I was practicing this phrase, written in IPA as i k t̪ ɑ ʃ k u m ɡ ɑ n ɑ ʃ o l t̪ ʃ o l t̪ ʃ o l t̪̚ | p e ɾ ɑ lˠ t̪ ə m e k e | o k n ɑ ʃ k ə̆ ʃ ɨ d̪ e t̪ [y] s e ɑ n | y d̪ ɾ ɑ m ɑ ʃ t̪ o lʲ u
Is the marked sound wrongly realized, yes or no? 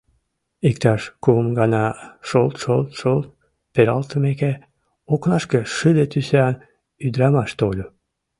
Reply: no